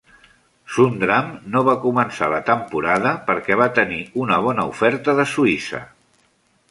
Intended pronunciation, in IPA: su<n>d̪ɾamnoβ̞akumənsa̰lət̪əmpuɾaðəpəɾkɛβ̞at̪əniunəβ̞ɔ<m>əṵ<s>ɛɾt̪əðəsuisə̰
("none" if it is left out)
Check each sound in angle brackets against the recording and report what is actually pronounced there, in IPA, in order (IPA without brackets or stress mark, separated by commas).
n, n, f